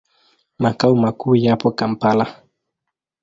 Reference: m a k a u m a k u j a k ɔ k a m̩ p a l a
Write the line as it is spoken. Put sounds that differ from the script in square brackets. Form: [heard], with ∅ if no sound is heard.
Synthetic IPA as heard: m a k a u m a k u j a [p] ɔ k a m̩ p a l a